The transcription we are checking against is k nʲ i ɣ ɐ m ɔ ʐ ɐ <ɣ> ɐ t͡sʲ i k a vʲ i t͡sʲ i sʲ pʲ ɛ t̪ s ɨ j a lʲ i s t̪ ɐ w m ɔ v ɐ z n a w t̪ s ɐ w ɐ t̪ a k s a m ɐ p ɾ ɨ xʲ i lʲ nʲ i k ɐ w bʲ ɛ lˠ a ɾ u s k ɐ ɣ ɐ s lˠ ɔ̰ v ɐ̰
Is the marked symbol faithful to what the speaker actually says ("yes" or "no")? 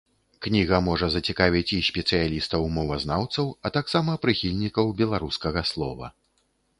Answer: no